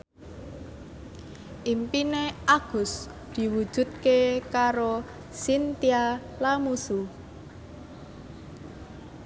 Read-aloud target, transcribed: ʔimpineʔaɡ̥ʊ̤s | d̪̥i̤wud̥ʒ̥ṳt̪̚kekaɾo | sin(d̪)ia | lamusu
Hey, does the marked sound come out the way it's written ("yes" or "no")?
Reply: no